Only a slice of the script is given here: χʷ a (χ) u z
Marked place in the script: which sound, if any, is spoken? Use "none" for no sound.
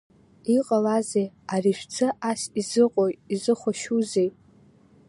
ʃ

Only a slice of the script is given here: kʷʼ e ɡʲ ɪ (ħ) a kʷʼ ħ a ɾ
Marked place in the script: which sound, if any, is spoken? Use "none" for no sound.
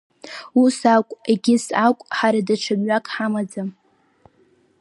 s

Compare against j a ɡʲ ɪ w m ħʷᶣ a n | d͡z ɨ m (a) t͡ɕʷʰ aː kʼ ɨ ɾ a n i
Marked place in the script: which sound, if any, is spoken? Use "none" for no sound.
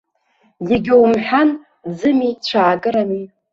i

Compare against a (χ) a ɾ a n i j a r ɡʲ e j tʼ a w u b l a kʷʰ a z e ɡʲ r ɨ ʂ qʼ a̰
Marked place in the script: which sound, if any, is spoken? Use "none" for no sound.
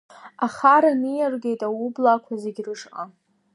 χ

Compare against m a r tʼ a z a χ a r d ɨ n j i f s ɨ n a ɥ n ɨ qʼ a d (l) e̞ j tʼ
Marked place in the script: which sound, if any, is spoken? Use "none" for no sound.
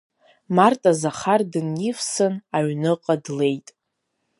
l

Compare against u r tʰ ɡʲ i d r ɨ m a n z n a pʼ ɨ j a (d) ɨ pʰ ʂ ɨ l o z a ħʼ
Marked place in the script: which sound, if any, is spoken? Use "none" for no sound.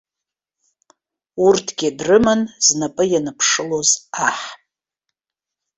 n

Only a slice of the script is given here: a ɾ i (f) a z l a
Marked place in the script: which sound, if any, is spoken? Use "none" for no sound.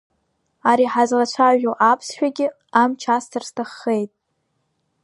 ħ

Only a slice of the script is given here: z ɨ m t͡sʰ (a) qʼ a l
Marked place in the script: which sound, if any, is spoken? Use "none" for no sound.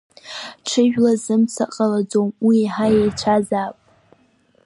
a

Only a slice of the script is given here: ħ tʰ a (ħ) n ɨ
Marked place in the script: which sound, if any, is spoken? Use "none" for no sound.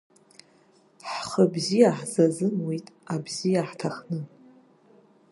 χ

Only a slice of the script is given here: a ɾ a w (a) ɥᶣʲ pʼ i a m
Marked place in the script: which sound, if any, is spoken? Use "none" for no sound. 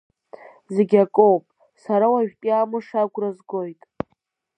a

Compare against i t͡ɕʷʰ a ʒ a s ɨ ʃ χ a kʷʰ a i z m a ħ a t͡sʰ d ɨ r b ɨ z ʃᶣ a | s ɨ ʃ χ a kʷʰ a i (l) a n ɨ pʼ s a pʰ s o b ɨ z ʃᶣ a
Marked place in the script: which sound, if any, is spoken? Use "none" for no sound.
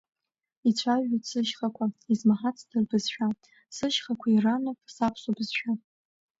r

